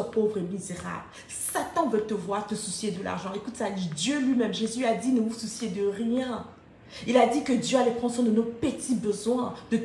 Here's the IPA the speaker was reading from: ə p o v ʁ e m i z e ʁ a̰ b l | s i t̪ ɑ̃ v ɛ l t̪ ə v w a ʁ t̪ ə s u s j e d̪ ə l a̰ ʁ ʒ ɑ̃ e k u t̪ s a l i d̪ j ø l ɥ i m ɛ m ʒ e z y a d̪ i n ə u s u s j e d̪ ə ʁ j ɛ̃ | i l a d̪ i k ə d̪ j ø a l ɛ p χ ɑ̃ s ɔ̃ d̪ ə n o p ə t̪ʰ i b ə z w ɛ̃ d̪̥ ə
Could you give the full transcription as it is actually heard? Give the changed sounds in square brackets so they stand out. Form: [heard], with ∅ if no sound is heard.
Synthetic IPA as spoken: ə p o v ʁ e m i z e ʁ a̰ b l | s [a] t̪ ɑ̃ v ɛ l t̪ ə v w a ʁ t̪ ə s u s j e d̪ ə l a̰ ʁ ʒ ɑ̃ e k u t̪ s a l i d̪ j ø l ɥ i m ɛ m ʒ e z y a d̪ i n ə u s u s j e d̪ ə ʁ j ɛ̃ | i l a d̪ i k ə d̪ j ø a l ɛ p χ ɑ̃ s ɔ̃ d̪ ə n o p ə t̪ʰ i b ə z w ɛ̃ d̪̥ ə